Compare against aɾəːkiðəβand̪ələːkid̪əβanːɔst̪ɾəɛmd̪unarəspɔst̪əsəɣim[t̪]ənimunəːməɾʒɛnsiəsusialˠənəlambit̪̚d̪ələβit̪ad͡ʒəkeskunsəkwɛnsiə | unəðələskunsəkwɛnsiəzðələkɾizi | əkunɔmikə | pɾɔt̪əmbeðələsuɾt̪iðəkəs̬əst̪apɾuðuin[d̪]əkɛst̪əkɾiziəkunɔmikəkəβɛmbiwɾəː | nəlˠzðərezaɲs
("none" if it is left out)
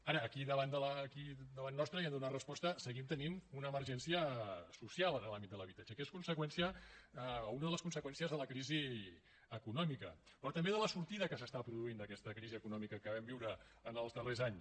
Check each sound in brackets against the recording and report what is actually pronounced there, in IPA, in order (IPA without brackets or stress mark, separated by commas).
t̪, d̪